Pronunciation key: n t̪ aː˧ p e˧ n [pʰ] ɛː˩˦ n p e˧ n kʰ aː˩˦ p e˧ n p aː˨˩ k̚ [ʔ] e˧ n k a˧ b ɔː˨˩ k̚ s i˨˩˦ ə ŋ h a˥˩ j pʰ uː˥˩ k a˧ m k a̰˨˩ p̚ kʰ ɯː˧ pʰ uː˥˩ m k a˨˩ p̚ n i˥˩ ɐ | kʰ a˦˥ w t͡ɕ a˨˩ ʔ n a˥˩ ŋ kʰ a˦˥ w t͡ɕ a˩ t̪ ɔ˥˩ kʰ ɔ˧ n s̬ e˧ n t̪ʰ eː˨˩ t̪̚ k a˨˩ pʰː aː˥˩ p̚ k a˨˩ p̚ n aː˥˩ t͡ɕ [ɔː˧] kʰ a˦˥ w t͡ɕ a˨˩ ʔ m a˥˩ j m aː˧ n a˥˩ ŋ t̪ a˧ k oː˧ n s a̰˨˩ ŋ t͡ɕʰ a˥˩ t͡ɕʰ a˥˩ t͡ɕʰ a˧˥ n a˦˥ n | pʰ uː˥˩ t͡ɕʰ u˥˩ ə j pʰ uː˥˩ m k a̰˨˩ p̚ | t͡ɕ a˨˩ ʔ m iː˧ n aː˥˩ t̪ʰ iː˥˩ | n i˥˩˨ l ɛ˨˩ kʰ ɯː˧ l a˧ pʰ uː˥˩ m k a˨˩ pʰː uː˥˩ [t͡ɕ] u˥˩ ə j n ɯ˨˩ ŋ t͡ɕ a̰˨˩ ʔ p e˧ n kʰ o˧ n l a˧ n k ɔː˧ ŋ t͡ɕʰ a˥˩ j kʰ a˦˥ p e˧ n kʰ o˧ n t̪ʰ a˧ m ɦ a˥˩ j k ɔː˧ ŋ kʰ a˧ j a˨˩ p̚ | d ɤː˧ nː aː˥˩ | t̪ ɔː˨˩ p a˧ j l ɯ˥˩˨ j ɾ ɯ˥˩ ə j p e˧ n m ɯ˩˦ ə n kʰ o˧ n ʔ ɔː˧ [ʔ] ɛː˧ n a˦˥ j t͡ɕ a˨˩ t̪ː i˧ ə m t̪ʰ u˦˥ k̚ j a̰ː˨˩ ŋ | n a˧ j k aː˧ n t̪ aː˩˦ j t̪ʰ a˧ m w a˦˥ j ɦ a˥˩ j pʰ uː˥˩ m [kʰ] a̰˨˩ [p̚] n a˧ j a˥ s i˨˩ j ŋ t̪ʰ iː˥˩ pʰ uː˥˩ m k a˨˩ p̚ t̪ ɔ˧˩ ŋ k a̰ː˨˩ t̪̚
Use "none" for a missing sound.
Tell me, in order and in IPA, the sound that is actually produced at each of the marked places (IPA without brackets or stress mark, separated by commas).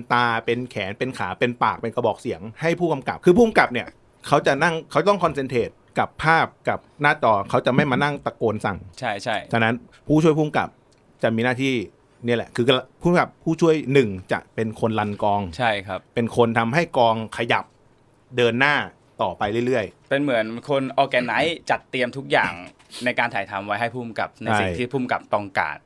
kʰ, p, ɔː˧, t͡ɕʰ, k, k, p̚